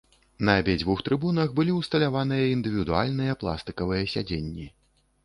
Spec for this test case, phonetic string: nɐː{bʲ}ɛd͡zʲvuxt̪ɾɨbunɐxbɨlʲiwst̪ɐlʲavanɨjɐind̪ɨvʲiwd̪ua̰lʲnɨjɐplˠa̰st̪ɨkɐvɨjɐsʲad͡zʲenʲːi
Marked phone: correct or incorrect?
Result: correct